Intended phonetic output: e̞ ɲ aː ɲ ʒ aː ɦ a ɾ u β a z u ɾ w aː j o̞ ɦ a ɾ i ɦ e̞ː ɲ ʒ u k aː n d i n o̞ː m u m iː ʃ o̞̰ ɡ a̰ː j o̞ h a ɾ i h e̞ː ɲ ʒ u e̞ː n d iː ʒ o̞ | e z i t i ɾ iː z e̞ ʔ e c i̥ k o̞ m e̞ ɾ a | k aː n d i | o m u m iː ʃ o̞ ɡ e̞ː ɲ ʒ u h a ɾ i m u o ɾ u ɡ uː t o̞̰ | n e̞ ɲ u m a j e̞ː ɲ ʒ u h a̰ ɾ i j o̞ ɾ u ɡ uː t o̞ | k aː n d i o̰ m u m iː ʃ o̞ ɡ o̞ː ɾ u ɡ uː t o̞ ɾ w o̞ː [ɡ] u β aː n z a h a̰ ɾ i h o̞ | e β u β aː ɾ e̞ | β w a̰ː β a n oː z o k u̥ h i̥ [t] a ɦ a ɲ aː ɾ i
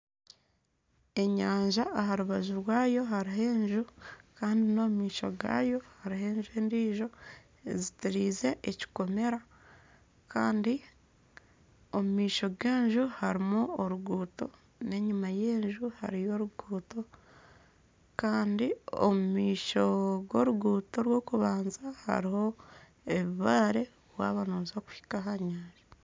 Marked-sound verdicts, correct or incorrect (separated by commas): incorrect, incorrect